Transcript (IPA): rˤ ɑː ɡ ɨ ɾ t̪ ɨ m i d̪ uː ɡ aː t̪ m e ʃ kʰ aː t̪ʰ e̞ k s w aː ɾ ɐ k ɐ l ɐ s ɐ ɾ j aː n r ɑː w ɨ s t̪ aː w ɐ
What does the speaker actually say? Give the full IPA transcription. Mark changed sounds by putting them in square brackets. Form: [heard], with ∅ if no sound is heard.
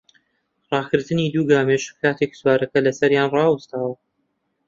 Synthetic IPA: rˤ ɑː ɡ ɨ ɾ t̪ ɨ [n] i d̪ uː ɡ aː [∅] m e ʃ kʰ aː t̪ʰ e̞ k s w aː ɾ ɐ k ɐ l ɐ s ɐ ɾ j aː n r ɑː w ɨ s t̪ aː w ɐ